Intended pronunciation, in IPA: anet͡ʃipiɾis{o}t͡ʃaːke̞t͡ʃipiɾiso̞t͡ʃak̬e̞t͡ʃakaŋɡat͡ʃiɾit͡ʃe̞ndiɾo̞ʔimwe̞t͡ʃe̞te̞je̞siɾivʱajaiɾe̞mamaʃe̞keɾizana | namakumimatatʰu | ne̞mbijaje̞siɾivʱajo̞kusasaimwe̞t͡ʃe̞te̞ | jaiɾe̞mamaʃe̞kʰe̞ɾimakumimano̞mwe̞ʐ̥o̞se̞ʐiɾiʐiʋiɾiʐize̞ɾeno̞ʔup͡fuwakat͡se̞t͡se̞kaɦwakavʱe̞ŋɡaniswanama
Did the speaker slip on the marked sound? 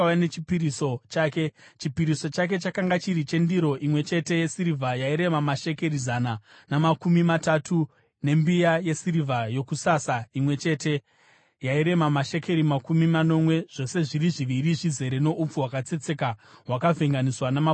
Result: no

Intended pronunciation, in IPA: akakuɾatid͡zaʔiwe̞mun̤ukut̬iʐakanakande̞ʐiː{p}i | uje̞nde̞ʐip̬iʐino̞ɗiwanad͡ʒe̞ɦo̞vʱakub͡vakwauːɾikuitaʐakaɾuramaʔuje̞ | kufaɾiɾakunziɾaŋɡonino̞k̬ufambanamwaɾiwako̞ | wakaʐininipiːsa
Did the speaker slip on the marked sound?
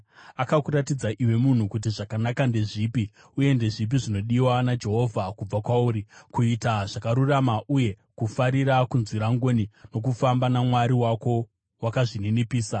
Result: no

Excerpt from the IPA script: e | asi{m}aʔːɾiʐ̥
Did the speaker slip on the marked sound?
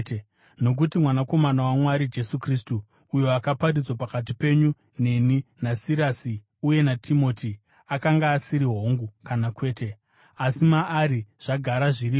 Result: no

